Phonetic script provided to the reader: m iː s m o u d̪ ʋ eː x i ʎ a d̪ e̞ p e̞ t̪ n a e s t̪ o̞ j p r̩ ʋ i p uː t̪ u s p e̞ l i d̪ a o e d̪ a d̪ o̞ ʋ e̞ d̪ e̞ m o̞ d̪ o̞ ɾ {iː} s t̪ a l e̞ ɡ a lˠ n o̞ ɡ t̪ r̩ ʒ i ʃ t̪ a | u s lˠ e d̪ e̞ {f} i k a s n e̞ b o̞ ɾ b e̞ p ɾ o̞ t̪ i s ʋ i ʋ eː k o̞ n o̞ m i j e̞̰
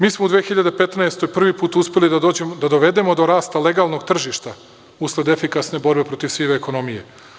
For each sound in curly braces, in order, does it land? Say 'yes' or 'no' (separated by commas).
no, yes